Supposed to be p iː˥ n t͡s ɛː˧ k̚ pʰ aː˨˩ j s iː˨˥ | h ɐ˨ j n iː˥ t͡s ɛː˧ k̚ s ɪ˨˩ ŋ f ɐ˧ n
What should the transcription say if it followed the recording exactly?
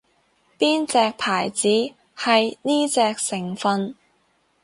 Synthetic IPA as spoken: p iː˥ n t͡s ɛː˧ k̚ pʰ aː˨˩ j t͡s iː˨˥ | h ɐ˨ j n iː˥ t͡s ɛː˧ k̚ s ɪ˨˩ ŋ f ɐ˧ n